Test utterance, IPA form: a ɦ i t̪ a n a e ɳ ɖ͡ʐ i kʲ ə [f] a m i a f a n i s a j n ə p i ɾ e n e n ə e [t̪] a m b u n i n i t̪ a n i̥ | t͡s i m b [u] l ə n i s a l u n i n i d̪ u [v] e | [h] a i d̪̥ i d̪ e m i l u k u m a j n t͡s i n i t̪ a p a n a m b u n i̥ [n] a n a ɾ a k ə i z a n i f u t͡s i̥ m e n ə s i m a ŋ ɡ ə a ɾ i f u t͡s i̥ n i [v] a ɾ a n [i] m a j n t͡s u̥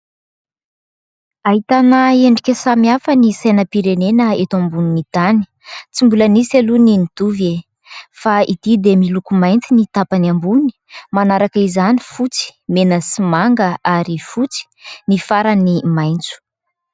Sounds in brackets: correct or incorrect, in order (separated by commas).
incorrect, correct, correct, correct, incorrect, incorrect, incorrect, correct